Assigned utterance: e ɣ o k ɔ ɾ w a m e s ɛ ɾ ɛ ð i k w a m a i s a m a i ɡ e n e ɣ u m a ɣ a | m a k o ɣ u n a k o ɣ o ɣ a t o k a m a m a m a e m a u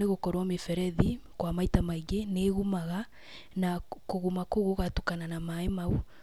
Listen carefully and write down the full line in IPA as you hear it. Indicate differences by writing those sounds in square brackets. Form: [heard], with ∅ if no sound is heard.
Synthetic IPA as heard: e ɣ o k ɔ ɾ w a m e [f] ɛ ɾ ɛ ð i k w a m a i [t] a m a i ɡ e n e ɣ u m a ɣ a | [n] a k o ɣ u [m] a k o ɣ o ɣ a t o k a [n] a [n] a m a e m a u